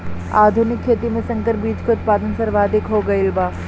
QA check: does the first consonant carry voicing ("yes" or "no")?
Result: yes